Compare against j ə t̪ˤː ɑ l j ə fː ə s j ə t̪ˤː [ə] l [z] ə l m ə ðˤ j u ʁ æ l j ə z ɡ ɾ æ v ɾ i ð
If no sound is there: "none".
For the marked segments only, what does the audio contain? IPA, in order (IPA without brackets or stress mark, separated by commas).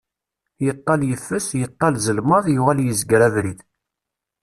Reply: ɑ, z